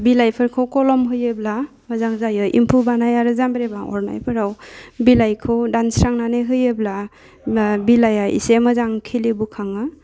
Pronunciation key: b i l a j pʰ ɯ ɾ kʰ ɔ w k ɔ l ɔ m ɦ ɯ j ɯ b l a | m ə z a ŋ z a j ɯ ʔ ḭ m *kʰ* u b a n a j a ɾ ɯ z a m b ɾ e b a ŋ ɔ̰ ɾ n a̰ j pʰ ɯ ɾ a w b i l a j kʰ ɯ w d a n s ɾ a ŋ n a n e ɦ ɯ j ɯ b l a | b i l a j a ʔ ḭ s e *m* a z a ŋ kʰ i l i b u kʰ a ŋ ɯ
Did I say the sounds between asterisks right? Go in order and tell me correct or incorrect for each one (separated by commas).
incorrect, correct